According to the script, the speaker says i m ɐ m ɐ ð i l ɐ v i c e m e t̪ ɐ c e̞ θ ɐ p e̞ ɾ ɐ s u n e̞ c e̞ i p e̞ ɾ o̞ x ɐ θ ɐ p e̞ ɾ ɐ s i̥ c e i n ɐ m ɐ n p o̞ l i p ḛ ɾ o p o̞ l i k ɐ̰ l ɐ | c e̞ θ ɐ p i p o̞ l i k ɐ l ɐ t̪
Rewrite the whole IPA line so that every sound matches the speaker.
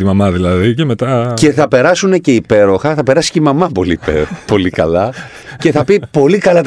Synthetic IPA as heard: i m ɐ m ɐ ð i l ɐ ð i c e m e t̪ ɐ c e̞ θ ɐ p e̞ ɾ ɐ s u n e̞ c e̞ i p e̞ ɾ o̞ x ɐ θ ɐ p e̞ ɾ ɐ s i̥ c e i m ɐ m ɐ p o̞ l i p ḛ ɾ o p o̞ l i k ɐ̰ l ɐ | c e̞ θ ɐ p i p o̞ l i k ɐ l ɐ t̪